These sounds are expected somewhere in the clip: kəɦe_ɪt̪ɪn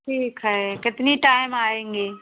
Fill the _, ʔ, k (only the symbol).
k